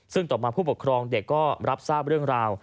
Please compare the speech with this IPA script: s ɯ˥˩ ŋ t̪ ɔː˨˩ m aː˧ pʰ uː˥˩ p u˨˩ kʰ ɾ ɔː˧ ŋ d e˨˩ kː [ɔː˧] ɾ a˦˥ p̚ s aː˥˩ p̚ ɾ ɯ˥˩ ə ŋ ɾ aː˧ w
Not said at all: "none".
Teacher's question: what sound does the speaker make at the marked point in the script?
ɔː˥˩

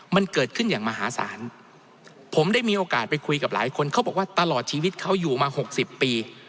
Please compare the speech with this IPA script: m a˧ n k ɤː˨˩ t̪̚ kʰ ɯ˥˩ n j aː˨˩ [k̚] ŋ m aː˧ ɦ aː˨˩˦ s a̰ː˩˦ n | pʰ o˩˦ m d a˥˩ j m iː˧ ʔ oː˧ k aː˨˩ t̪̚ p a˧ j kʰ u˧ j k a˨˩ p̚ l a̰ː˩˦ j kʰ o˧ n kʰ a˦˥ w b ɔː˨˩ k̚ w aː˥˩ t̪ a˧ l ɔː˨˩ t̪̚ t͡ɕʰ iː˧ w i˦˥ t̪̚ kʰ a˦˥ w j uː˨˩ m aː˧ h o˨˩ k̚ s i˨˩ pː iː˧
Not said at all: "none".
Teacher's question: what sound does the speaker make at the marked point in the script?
none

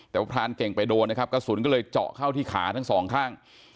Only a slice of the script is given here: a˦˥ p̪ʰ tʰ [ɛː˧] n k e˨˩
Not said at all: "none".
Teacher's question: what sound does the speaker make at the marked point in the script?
aː˧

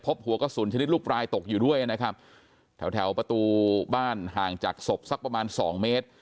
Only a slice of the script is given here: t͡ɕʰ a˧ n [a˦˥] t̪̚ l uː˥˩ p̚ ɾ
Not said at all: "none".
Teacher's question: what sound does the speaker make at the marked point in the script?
i˦˥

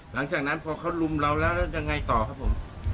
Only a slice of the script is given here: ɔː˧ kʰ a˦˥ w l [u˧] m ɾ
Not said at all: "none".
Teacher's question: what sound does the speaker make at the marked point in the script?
u˧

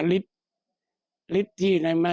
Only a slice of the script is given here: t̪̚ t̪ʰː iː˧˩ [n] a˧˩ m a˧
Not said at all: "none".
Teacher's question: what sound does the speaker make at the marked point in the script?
n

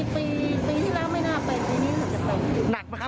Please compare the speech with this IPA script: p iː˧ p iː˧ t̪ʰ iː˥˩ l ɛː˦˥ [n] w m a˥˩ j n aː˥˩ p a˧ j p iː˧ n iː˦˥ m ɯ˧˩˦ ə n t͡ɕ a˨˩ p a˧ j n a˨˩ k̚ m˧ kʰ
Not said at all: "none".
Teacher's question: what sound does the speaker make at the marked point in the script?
none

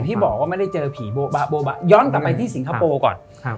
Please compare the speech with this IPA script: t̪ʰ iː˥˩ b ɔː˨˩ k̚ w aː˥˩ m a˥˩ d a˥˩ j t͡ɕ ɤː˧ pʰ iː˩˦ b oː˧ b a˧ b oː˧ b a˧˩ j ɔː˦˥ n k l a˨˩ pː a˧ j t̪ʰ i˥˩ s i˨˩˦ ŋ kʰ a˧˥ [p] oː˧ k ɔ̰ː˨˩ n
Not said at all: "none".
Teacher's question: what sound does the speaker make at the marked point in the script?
p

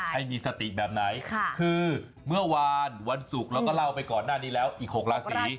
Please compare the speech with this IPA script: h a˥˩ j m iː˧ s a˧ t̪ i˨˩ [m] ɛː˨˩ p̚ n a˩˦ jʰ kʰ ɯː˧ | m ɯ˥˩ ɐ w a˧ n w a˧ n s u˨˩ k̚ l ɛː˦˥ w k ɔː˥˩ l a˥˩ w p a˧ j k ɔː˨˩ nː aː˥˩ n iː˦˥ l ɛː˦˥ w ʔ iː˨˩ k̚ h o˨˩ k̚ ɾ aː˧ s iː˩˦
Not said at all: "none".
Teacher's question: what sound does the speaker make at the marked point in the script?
b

